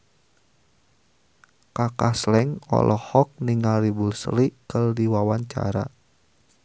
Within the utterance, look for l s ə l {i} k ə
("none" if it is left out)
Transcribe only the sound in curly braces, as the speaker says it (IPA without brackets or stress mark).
i